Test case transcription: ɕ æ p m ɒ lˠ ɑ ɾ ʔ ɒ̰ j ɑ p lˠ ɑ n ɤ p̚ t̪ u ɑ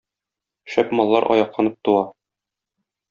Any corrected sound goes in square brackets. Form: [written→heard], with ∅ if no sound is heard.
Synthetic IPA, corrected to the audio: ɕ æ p m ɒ [lˠ→lˠː] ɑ ɾ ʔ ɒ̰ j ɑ [p→q] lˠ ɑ n ɤ p̚ t̪ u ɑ